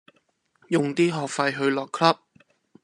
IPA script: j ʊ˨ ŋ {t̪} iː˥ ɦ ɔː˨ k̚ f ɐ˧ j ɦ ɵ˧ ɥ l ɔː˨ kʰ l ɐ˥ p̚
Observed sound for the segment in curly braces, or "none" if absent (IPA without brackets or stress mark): t̪